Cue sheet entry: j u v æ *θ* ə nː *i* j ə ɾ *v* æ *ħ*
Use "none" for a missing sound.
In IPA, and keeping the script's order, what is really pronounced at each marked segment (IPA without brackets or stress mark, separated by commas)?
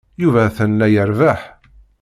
θ, æ, v, ħ